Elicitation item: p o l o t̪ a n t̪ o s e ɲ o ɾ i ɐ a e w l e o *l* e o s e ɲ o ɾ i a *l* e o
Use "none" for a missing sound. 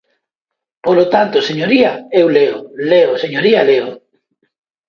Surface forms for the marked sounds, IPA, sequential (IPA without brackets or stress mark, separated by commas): l, l